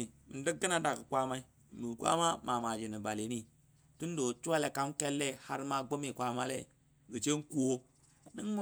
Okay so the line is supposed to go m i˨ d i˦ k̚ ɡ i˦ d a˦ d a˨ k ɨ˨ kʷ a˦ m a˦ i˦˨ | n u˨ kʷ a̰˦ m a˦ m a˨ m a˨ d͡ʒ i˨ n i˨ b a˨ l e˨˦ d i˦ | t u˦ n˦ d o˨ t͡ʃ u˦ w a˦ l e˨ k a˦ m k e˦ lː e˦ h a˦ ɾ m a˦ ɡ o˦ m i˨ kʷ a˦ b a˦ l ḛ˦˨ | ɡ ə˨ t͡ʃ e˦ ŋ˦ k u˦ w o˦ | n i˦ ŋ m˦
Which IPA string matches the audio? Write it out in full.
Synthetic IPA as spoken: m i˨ d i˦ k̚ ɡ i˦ n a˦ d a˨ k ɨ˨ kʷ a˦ m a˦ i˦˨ | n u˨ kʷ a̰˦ m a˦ m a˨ m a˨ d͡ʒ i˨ n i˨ b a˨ l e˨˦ n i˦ | t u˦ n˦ d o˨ t͡ʃ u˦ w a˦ l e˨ k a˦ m k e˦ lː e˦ h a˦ ɾ m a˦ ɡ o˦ m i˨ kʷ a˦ m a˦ l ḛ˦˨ | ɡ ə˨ t͡ʃ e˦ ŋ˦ k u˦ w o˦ | n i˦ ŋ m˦